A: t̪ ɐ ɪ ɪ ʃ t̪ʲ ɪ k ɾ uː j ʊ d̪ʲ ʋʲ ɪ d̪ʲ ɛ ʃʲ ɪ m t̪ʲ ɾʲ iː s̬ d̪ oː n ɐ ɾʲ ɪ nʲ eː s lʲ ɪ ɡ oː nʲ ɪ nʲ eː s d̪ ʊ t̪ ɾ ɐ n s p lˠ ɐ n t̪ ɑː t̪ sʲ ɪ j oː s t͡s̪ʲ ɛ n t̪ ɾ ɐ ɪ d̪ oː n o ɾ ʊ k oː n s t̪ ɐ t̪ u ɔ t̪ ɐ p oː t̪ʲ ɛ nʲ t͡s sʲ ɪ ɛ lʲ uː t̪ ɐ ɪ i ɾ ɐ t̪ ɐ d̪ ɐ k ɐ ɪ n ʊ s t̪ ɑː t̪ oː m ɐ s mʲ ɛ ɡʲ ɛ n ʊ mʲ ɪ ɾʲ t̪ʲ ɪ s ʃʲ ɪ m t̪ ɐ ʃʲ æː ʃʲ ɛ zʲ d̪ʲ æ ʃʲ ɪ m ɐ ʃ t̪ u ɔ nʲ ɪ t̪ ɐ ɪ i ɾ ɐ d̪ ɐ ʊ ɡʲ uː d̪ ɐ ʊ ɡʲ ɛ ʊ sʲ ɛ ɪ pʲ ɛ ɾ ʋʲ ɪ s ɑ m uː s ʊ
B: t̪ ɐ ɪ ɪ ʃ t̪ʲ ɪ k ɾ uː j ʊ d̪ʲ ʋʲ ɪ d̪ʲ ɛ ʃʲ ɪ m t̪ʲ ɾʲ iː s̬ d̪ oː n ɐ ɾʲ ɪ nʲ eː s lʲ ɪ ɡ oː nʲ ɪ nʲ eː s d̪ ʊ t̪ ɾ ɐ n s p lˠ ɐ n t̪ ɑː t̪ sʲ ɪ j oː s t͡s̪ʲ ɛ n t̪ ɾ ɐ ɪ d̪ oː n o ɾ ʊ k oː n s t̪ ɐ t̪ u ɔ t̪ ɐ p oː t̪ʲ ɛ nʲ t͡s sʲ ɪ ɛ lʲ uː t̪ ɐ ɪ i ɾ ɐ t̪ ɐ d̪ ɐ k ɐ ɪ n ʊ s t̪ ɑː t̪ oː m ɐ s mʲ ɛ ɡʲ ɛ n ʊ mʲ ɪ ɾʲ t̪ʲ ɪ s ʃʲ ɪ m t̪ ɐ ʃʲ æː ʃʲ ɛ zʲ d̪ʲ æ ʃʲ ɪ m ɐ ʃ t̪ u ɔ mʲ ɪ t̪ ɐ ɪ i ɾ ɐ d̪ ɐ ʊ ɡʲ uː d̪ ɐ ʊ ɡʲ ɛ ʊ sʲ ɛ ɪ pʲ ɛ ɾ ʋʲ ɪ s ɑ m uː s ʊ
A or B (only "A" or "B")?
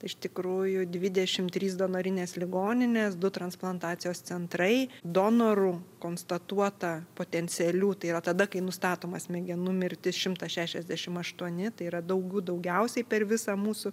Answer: A